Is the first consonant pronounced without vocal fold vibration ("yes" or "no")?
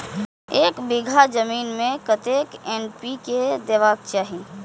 yes